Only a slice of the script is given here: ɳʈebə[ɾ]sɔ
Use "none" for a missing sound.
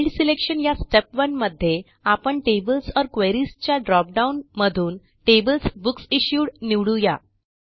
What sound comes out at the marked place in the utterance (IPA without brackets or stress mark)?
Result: l